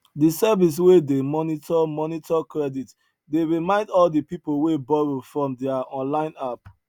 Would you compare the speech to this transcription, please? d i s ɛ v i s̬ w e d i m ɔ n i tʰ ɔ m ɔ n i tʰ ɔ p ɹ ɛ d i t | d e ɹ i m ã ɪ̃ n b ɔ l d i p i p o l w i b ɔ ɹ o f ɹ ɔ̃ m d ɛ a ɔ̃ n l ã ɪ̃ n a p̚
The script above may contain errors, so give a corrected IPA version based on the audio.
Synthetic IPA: d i s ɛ v i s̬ w e d e m ɔ n i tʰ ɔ m ɔ n i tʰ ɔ k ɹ ɛ d i t | d e ɹ i m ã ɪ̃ n d ɔ l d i p i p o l w e b ɔ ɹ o f ɹ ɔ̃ m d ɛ a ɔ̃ n l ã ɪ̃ n a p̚